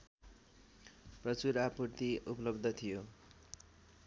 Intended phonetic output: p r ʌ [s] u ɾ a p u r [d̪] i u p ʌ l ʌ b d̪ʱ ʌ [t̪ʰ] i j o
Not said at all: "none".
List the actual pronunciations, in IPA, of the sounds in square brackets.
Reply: t͡s, t̪, t̪ʰ

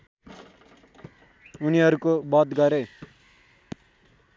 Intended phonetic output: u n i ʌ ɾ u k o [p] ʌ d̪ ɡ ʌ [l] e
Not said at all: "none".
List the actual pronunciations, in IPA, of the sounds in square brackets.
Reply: b, ɾ

